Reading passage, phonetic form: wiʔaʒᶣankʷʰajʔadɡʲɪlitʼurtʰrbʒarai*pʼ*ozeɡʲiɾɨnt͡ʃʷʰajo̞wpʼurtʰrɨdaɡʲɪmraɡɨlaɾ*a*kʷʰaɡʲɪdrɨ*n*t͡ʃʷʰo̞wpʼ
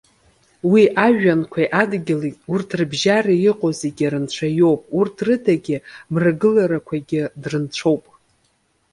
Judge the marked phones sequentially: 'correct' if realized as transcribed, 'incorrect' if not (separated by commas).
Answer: incorrect, correct, correct